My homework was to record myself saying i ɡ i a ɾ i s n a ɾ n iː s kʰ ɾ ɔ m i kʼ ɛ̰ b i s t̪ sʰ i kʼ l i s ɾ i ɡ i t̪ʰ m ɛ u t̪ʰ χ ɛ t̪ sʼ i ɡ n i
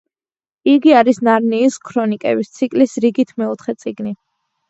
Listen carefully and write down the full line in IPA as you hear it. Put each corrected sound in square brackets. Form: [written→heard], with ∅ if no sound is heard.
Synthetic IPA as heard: i ɡ i a ɾ i s n a ɾ n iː s kʰ ɾ ɔ [m→n] i kʼ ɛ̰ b i s t̪ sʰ i kʼ l i s ɾ i ɡ i t̪ʰ m ɛ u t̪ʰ χ ɛ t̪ sʼ i ɡ n i